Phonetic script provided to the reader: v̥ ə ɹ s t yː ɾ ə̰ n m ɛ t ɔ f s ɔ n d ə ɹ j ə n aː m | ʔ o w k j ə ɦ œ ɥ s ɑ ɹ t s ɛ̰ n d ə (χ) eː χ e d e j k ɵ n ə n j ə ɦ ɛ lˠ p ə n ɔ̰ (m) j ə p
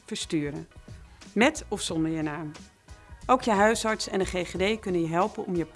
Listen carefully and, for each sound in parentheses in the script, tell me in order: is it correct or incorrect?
correct, correct

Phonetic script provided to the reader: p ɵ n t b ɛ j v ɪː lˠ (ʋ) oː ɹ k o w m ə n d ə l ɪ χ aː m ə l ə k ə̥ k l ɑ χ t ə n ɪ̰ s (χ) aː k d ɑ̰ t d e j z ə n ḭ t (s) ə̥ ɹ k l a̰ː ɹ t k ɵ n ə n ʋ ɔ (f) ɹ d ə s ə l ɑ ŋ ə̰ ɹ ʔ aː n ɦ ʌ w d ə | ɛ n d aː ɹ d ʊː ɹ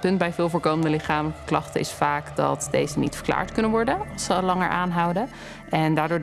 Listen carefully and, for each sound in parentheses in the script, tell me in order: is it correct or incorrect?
incorrect: v, incorrect: f, incorrect: f, incorrect: none

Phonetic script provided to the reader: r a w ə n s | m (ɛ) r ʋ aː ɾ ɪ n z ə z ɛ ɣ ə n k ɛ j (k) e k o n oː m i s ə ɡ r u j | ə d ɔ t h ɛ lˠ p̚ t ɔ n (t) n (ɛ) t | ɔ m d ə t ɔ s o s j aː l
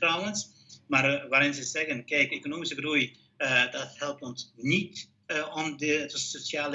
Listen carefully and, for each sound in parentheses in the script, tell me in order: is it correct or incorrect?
incorrect: a, correct, incorrect: s, incorrect: i

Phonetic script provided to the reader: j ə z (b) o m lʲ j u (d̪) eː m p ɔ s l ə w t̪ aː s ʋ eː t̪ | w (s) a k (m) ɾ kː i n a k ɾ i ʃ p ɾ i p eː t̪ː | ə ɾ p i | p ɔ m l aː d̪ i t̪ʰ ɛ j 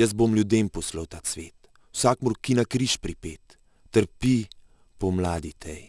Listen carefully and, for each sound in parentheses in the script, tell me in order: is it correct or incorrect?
correct, correct, correct, correct

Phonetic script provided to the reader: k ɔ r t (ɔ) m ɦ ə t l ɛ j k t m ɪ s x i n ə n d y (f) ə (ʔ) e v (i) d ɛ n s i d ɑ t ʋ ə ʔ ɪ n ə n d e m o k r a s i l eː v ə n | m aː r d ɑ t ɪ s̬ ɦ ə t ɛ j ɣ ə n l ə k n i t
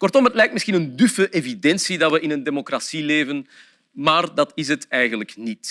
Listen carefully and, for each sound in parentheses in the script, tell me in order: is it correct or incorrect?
correct, correct, correct, correct

